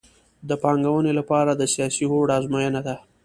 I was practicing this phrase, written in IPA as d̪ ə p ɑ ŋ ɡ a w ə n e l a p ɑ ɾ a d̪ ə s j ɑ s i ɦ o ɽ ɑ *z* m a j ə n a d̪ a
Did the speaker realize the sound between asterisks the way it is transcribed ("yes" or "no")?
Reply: yes